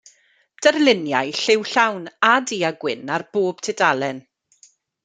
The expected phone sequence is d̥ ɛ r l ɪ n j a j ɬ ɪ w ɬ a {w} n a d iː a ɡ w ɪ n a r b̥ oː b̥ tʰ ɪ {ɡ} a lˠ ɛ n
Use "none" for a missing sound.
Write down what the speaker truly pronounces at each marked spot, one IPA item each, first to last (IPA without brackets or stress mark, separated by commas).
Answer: w, d